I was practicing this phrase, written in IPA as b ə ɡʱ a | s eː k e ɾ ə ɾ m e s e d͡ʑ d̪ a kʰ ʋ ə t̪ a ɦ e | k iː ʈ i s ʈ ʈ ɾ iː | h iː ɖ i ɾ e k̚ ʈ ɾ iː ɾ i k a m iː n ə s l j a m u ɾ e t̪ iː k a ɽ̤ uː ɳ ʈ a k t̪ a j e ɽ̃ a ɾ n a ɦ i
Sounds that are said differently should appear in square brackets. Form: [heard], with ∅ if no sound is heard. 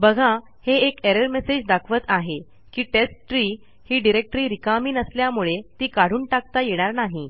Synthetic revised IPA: b ə ɡʱ a | [h] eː k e ɾ ə ɾ m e s e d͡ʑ d̪ a kʰ ʋ ə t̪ a ɦ e | k iː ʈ [e] s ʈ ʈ ɾ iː | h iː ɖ i ɾ e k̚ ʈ ɾ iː ɾ i k a m iː n ə s l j a m u [ɭ] e t̪ iː k a ɽ̤ uː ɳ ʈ a k t̪ a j e ɽ̃ a ɾ n a ɦ i

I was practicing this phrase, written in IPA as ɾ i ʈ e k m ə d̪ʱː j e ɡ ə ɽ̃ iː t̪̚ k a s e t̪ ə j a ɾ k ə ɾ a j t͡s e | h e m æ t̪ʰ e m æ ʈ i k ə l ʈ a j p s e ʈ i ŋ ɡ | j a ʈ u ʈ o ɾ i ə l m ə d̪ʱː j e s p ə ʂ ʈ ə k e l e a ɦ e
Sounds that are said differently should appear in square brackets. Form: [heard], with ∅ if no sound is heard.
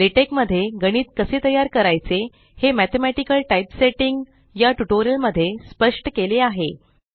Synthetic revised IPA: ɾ i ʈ e k m ə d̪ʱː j e ɡ ə ɽ̃ iː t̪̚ k [ə] s e t̪ ə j a ɾ k ə ɾ a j t͡s e | h e m æ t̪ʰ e m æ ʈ i k ə l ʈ a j p s e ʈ i ŋ ɡ | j a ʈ u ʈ o ɾ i ə l m ə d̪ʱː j e s p ə ʂ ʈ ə k e l e a ɦ e

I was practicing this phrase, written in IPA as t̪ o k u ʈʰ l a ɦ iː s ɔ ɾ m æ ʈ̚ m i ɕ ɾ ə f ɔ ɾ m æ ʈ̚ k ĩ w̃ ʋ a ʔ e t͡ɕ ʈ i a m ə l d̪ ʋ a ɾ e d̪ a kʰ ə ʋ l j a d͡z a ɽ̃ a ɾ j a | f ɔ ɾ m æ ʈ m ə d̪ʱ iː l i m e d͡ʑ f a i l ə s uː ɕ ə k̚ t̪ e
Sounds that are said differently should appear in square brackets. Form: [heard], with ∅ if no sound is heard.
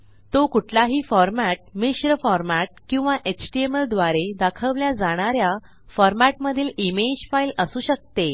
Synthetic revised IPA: t̪ o k u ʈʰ l a ɦ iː [f] ɔ ɾ m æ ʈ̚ m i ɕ ɾ ə f ɔ ɾ m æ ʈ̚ k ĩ w̃ ʋ a ʔ e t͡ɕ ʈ i [e] m ə l d̪ ʋ a ɾ e d̪ a kʰ ə ʋ l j a d͡z a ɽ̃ a ɾ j a | f ɔ ɾ m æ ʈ m ə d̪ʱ iː l i m e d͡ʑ f a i l ə s uː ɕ ə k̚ t̪ e

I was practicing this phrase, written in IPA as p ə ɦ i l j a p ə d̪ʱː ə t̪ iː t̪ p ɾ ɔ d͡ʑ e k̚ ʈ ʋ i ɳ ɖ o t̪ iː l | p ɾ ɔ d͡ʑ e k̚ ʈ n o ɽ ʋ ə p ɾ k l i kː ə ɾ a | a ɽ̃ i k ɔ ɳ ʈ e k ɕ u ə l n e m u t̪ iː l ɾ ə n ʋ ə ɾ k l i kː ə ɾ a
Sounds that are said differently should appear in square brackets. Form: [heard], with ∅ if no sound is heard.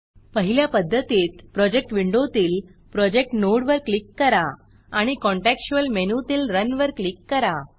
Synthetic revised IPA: p ə ɦ i l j a p ə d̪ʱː ə t̪ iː t̪ p ɾ ɔ d͡ʑ e k̚ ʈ ʋ i ɳ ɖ o t̪ iː l | p ɾ ɔ d͡ʑ e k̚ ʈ n o ɽ ʋ ə [∅] ɾ k l i kː ə ɾ a | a ɽ̃ i k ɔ ɳ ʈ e k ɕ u ə l [m] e [n] u t̪ iː l ɾ ə n ʋ ə ɾ k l i kː ə ɾ a

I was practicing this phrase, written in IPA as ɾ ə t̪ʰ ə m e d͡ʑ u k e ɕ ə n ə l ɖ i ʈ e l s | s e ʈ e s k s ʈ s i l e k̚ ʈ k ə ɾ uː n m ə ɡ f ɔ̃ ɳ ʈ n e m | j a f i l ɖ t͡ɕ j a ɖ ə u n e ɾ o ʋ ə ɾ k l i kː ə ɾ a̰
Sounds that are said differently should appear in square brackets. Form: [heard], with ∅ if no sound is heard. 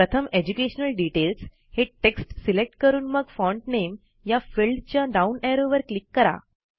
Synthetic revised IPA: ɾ ə t̪ʰ ə m e d͡ʑ u k e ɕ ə n ə l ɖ i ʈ e l s | [h] e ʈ e [∅] k s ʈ s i l e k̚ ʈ k ə ɾ uː n m ə ɡ f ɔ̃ ɳ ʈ n e m | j a f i l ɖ t͡ɕ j a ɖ [a] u n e ɾ o ʋ ə ɾ k l i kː ə ɾ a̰

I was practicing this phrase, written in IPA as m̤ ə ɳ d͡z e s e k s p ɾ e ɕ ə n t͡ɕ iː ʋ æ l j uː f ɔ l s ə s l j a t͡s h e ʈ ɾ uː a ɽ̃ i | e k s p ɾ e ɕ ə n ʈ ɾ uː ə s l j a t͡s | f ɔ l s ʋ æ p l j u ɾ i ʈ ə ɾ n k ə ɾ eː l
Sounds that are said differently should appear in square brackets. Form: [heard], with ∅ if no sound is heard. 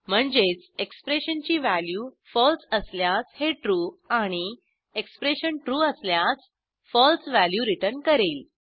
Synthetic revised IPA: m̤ ə ɳ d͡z e [t͡s] e k s p ɾ e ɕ ə n t͡ɕ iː ʋ æ l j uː f ɔ l s ə s l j a t͡s h e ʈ ɾ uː a ɽ̃ i | e k s p ɾ e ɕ ə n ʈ ɾ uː ə s l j a t͡s | f ɔ l s ʋ æ [∅] l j u ɾ i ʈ ə ɾ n k ə ɾ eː l

